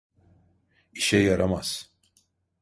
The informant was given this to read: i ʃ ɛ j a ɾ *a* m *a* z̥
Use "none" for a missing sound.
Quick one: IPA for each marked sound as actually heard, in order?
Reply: a, a

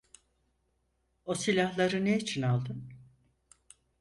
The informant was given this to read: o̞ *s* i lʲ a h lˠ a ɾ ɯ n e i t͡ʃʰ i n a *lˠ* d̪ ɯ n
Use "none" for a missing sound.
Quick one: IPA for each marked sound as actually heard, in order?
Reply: s, lˠ

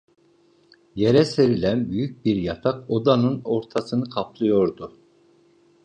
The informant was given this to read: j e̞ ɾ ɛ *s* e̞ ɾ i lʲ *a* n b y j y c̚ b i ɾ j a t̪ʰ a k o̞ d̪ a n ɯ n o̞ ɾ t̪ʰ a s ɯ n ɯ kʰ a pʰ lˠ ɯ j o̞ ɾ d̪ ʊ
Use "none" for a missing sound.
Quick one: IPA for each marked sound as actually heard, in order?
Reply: s, æ

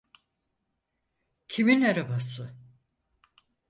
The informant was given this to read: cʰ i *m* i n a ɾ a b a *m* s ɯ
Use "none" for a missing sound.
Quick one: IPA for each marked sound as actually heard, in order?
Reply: m, none

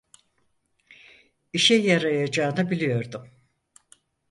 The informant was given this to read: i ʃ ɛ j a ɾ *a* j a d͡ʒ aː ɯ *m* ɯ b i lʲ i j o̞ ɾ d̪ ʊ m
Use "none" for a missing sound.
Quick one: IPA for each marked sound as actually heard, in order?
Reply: a, n

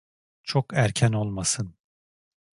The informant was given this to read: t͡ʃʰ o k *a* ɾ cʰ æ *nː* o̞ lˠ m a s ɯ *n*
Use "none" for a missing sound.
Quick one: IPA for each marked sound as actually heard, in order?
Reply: æ, n, n

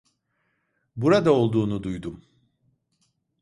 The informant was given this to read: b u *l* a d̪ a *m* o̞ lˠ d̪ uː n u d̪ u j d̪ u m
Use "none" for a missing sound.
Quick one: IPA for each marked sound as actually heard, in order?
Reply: ɾ, none

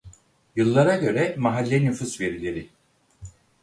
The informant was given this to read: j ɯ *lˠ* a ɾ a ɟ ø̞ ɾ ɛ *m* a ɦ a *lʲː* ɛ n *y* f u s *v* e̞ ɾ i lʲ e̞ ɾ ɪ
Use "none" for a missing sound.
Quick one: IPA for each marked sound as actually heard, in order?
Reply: lˠː, m, lʲː, y, v

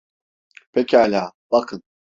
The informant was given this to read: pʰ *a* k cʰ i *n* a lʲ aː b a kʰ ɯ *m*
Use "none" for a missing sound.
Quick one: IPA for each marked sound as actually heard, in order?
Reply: e, none, n

